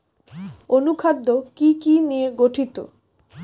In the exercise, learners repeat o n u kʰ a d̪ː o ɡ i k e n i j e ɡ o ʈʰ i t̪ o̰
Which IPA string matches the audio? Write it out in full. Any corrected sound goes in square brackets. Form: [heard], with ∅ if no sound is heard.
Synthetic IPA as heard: o n u kʰ a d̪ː o [k] i k [i] n i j e ɡ o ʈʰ i t̪ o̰